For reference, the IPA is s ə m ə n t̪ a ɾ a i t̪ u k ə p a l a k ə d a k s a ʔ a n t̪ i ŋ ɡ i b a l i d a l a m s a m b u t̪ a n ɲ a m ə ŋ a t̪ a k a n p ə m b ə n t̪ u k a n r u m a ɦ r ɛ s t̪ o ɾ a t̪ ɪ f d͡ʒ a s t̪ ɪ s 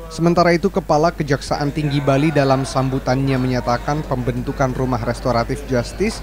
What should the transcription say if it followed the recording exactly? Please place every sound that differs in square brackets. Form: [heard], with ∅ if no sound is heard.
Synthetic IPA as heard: s ə m ə n t̪ a ɾ a i t̪ u k ə p a l a k ə [d͡ʒ] a k s a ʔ a n t̪ i ŋ ɡ i b a l i d a l a m s a m b u t̪ a n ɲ a m ə [ɲ] a t̪ a k a n p ə m b ə n t̪ u k a n r u m a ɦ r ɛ s t̪ o ɾ a t̪ ɪ f d͡ʒ a s t̪ ɪ s